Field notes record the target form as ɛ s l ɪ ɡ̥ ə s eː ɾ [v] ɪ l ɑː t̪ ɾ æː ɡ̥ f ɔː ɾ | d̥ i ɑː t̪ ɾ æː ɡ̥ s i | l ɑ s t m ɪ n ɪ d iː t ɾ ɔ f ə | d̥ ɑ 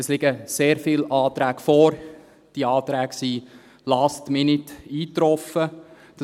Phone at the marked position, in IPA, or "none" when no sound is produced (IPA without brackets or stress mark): f